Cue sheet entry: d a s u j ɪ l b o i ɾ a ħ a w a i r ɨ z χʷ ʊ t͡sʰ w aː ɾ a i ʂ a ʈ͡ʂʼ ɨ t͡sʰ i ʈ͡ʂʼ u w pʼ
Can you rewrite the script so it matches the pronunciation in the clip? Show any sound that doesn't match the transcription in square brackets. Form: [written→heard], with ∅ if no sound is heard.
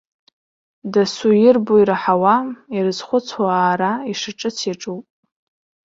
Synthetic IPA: d a s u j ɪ [l→r] b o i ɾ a ħ a w a i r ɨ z χʷ ʊ t͡sʰ w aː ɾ a i ʂ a ʈ͡ʂʼ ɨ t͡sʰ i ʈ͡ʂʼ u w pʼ

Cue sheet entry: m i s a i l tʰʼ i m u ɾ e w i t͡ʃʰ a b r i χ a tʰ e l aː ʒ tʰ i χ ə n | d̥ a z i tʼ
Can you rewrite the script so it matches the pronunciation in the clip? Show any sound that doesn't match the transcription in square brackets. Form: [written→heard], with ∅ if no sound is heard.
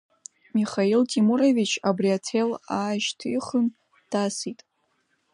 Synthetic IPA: m i [s→χ] a i l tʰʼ i m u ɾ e [w→v] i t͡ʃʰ a b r i [χ→∅] a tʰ e l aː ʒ tʰ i χ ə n | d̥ a [z→s] i tʼ

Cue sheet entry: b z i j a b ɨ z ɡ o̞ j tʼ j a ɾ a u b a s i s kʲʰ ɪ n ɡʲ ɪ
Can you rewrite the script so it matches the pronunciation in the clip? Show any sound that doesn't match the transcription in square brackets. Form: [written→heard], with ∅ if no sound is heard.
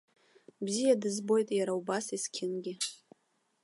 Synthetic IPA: b z i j a [b→d] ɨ z [ɡ→b] o̞ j tʼ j a ɾ a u b a s i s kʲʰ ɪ n ɡʲ ɪ

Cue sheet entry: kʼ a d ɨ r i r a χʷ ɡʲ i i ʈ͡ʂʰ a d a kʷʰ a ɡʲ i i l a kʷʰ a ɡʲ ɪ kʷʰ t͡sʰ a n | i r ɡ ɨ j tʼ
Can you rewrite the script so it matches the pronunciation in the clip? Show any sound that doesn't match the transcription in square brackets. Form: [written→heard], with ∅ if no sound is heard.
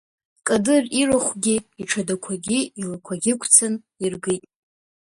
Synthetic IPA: kʼ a d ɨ r i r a χʷ ɡʲ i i ʈ͡ʂʰ a d a kʷʰ a ɡʲ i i l a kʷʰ a ɡʲ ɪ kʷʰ t͡sʰ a n | i r ɡ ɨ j tʼ

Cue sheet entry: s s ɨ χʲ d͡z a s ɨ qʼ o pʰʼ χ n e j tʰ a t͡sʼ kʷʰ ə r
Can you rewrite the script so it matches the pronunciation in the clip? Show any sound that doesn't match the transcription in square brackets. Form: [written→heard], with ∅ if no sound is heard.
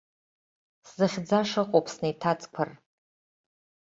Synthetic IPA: s [s→z] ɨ χʲ d͡z a [s→ʂ] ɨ qʼ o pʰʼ [χ→s] n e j tʰ a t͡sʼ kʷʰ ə r

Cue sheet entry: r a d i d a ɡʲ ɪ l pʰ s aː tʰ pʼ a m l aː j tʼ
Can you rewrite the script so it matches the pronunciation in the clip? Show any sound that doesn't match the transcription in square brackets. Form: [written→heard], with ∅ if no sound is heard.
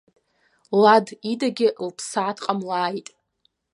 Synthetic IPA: [r→l] a d i d a ɡʲ ɪ l pʰ s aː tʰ [pʼ→qʼ] a m l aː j tʼ

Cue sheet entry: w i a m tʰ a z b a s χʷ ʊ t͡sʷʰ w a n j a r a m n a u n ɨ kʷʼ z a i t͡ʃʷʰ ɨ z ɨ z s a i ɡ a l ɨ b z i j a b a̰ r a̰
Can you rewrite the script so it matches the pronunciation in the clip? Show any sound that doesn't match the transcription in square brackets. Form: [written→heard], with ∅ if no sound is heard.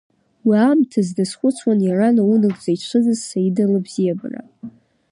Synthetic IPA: w i a m tʰ a z [b→d] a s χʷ ʊ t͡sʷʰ w a n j a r a [m→∅] n a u n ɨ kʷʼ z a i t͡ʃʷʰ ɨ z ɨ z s a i [ɡ→d] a l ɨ b z i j a b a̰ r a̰

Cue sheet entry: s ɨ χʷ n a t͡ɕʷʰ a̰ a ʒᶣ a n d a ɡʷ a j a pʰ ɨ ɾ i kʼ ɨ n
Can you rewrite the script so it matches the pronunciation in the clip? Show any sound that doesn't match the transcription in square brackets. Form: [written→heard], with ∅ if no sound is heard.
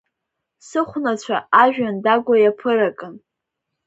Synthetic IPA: s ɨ χʷ n a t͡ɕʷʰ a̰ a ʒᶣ a n d a ɡʷ a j a pʰ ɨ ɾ [i→a] kʼ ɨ n

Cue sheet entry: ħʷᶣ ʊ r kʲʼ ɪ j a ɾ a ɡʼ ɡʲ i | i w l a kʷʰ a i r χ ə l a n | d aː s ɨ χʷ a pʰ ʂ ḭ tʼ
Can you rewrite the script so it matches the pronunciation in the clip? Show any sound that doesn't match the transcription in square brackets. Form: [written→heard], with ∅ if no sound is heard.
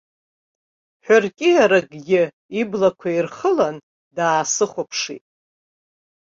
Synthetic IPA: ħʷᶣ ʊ r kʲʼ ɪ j a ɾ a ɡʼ ɡʲ [i→ɪ] | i [w→b] l a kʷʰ a i r χ ə l a n | d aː s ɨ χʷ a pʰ ʂ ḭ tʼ

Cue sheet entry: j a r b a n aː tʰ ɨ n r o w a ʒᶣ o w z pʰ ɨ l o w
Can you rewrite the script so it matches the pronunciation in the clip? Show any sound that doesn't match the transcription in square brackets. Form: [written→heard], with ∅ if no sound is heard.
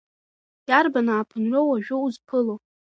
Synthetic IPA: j a r b a n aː [tʰ→pʰ] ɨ n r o w a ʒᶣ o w z pʰ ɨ l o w

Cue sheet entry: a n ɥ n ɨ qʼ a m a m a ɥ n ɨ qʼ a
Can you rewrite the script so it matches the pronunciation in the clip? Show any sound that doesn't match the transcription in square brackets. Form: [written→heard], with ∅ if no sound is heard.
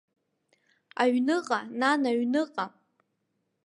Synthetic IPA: a [n→∅] ɥ n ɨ qʼ a [m→n] a [m→n] a ɥ n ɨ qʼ a

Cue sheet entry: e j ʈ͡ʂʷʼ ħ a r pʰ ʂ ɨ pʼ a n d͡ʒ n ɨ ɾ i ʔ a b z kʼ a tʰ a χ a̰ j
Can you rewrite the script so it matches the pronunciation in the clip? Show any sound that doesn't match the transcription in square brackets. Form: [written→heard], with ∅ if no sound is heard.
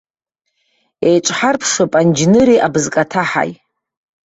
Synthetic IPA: e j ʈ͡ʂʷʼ ħ a r pʰ ʂ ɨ pʼ a n d͡ʒ n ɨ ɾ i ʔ a b z kʼ a tʰ a [χ→ħ] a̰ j

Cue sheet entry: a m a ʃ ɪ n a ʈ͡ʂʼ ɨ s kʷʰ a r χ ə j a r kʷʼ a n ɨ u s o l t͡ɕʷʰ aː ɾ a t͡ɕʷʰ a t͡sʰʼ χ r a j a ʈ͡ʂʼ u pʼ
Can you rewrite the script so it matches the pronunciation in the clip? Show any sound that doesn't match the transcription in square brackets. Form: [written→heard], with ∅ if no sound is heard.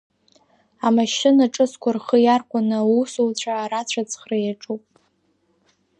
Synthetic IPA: a m a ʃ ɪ n a ʈ͡ʂʼ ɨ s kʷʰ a r χ ə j a r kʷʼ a n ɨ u s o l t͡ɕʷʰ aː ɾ a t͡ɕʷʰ a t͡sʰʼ χ r a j a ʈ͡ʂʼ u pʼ

